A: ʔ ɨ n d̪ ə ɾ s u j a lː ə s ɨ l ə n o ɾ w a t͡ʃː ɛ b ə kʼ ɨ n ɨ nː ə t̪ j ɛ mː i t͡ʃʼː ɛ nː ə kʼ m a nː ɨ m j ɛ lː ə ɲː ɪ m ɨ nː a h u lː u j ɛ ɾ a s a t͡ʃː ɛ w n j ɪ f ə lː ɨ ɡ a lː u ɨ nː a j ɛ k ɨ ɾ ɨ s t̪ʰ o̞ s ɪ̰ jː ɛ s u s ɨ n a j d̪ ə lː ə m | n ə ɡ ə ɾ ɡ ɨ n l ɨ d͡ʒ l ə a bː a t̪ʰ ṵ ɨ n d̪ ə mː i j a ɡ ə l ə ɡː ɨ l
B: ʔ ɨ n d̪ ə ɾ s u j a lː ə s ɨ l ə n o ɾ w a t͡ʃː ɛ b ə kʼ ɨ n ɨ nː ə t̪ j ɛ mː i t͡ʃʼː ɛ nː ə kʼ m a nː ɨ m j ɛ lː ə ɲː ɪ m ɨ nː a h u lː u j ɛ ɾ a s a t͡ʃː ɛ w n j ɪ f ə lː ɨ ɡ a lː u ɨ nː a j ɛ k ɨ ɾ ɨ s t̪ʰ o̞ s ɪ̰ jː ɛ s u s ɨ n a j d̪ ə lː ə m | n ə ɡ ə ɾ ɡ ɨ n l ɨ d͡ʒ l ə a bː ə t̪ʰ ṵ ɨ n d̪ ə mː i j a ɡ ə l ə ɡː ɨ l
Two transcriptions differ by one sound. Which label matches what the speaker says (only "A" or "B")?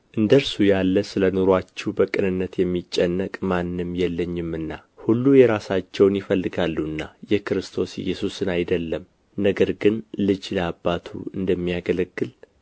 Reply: A